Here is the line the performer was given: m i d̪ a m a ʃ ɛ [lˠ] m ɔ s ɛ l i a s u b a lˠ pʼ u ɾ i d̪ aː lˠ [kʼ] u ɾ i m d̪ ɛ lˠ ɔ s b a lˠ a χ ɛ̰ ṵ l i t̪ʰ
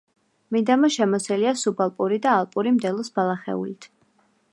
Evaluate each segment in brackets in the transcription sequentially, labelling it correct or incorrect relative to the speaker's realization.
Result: incorrect: none, incorrect: pʼ

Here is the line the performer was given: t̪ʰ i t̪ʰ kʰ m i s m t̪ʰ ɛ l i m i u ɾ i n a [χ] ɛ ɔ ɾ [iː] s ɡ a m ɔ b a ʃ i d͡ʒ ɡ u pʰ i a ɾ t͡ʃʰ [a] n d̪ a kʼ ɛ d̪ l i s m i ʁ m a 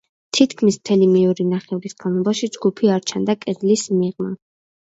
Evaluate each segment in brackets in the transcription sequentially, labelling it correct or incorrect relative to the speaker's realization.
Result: correct, incorrect: i, correct

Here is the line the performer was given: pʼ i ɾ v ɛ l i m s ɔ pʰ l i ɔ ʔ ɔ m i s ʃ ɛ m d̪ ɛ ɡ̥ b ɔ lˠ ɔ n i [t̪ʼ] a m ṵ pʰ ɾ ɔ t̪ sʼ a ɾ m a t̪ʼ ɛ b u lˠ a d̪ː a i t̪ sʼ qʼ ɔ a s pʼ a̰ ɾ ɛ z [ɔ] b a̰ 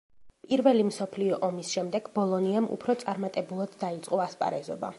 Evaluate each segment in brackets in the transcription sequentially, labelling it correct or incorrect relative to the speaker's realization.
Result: incorrect: none, correct

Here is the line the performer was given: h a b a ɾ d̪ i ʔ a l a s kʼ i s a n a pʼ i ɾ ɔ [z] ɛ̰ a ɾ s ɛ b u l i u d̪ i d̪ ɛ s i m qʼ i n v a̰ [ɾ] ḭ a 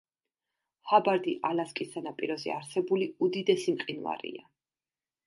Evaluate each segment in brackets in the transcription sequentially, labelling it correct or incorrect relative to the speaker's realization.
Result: correct, correct

